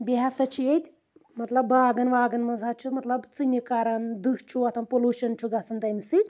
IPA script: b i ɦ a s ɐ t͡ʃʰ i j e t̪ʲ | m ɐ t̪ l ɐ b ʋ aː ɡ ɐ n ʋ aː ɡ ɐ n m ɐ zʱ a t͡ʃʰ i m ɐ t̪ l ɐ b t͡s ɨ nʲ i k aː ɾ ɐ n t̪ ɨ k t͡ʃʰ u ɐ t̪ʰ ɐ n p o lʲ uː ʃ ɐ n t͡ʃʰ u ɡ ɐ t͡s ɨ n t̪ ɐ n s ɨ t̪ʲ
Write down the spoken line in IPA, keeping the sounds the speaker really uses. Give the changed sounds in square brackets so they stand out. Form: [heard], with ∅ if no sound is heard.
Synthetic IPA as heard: b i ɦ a s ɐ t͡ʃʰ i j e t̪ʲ | m ɐ t̪ l ɐ b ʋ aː ɡ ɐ n ʋ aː ɡ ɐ n m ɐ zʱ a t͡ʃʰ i m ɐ t̪ l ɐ b t͡s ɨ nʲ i k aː ɾ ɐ n [d̪] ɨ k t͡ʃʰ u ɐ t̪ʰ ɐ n p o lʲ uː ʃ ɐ n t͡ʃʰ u ɡ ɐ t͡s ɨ n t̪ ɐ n s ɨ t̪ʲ

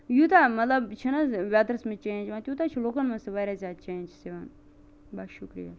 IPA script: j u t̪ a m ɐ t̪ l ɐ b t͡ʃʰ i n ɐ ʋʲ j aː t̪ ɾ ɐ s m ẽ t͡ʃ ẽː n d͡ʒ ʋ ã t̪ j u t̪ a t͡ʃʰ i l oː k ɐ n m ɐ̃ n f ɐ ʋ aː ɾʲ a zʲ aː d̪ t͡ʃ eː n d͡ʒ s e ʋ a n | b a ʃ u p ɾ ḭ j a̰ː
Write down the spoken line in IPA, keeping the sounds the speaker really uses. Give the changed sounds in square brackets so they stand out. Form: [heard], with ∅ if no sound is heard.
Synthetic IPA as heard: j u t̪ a m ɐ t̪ l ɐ b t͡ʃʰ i n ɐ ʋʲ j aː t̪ ɾ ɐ s m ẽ t͡ʃ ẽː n d͡ʒ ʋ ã t̪ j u t̪ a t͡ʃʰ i l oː k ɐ n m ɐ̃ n [s] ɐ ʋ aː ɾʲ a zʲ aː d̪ t͡ʃ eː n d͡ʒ s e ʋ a n | b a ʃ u [k] ɾ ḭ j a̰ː

